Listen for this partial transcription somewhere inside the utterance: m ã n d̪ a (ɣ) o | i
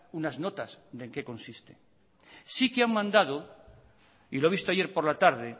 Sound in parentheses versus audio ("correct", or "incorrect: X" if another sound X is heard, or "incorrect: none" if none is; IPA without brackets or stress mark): incorrect: ð